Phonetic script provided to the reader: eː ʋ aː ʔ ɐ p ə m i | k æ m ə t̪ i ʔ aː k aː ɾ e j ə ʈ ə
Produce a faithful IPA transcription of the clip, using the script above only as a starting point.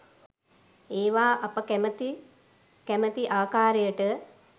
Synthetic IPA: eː ʋ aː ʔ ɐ p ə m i | k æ m ə t̪ i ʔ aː k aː ɾ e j ə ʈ ə